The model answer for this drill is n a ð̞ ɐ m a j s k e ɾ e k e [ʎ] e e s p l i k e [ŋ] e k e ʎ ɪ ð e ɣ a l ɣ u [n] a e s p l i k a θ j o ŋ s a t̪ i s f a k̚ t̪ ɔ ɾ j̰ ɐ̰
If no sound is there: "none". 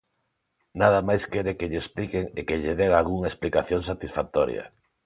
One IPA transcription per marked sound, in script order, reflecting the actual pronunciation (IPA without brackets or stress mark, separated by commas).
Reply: ʎ, ŋ, ŋ